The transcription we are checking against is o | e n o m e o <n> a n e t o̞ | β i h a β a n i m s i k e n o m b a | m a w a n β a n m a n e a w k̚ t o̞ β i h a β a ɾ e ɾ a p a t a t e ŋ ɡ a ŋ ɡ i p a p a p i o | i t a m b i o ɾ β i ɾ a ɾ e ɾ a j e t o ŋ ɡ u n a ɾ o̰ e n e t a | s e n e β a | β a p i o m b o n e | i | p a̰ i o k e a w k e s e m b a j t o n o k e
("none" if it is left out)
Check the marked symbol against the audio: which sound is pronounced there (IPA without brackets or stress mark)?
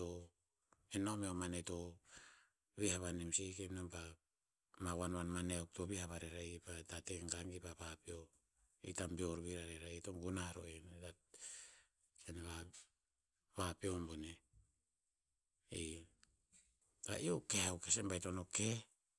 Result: m